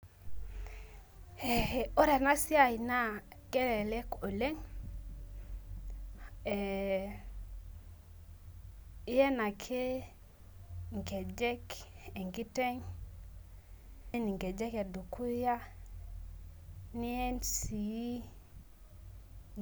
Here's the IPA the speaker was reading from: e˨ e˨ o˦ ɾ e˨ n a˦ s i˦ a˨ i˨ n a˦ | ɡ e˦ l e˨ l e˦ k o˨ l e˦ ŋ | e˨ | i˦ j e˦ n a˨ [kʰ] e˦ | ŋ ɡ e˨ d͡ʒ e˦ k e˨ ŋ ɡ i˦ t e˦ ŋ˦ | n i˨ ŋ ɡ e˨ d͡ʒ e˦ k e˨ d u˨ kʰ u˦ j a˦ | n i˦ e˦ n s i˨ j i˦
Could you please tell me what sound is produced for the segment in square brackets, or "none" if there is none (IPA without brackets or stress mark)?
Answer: kʰ